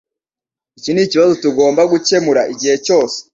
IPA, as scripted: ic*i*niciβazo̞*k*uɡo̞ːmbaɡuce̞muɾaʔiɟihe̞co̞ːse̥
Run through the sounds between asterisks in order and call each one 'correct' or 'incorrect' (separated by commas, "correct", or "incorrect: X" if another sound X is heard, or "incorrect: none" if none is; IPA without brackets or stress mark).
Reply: correct, incorrect: t